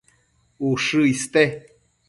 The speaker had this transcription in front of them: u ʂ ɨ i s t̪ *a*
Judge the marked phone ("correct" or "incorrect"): incorrect